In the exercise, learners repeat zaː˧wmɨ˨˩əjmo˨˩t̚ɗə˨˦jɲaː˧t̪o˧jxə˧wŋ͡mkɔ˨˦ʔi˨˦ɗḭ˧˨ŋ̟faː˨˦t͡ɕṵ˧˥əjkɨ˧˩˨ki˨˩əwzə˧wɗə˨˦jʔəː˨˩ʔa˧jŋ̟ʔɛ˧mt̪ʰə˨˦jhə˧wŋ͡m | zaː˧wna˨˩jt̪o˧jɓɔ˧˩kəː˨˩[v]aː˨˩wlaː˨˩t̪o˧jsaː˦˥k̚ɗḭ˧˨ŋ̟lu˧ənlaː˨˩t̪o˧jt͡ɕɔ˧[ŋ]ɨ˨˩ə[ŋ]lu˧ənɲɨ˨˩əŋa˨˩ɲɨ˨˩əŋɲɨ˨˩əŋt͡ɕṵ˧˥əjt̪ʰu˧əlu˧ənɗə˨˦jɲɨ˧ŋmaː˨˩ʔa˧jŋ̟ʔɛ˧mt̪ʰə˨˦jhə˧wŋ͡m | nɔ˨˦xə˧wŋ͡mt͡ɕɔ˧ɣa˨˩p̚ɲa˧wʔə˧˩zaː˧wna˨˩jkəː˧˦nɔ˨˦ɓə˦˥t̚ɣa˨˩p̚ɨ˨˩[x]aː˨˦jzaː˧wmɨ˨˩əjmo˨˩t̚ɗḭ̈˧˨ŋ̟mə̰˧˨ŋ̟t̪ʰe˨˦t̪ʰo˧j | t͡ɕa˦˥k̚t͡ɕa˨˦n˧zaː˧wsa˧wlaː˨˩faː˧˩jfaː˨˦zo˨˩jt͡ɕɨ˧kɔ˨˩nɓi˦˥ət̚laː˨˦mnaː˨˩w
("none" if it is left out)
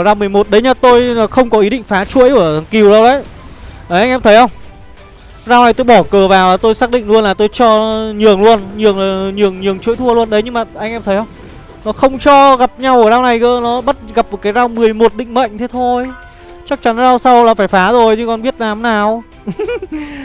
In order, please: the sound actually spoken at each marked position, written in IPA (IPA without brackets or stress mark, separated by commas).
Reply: v, ɲ, ŋ, k